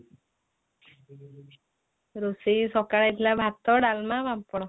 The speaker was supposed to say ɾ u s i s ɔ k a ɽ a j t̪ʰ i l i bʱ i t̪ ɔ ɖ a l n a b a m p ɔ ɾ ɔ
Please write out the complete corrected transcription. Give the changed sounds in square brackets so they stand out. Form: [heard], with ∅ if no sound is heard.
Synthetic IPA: ɾ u s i s ɔ k a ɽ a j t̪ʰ i l [a] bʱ [a] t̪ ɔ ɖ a l [m] a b a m p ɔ [ɽ] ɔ